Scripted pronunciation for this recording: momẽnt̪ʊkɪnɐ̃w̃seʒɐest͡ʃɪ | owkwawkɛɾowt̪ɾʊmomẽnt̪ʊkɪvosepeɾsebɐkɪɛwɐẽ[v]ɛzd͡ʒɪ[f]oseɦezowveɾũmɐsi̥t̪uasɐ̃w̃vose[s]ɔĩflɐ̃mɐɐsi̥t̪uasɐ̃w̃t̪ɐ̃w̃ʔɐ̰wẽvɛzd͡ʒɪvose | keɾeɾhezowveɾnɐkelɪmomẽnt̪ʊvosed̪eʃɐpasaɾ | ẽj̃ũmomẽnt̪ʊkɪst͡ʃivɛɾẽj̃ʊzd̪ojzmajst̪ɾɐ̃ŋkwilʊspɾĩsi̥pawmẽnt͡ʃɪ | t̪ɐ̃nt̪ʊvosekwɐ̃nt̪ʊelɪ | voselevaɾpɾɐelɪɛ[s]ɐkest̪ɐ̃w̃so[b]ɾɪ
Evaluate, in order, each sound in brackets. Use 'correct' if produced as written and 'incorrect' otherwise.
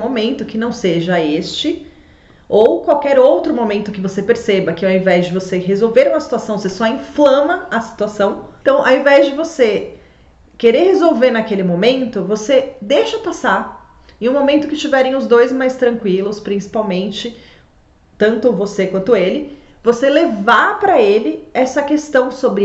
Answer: correct, incorrect: v, correct, correct, correct

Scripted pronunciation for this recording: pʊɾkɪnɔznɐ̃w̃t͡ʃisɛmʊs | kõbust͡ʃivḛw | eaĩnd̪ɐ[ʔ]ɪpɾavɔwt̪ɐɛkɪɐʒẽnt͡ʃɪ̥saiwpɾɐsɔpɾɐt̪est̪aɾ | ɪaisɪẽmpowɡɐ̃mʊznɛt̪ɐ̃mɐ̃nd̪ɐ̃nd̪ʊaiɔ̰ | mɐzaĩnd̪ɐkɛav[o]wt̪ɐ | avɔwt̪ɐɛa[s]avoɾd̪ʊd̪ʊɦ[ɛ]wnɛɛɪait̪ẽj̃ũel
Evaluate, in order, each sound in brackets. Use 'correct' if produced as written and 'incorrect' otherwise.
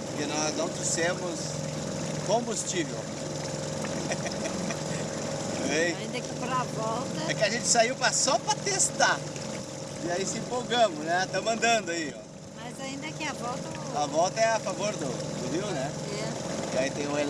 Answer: incorrect: k, incorrect: ɔ, incorrect: f, incorrect: i

